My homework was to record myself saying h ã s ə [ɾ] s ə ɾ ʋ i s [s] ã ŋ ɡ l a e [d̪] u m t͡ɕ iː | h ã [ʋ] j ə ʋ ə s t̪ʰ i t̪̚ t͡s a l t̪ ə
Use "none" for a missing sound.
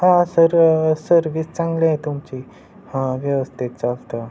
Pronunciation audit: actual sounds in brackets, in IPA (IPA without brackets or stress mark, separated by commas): ɾ, t͡s, t̪, ʋ